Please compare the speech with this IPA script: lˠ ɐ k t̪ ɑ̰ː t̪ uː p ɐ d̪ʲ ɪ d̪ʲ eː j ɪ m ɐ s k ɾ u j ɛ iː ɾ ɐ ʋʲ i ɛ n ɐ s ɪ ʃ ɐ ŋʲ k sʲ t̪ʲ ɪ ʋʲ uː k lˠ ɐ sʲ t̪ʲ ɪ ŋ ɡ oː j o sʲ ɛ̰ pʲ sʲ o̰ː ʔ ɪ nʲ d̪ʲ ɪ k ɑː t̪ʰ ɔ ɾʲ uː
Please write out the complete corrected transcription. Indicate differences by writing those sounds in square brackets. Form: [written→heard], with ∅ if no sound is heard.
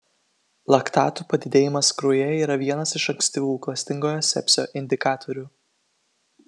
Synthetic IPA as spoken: lˠ ɐ k t̪ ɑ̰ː t̪ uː p ɐ d̪ʲ ɪ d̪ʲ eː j ɪ m ɐ s k ɾ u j ɛ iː ɾ ɐ ʋʲ i ɛ n ɐ s ɪ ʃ ɐ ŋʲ k sʲ t̪ʲ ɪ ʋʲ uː k lˠ ɐ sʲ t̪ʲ ɪ ŋ ɡ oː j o sʲ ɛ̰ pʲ sʲ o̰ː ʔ ɪ nʲ d̪ʲ ɪ k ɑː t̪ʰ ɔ ɾʲ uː